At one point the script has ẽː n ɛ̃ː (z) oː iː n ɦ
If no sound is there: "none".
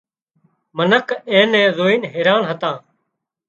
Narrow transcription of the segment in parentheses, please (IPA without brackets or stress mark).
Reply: z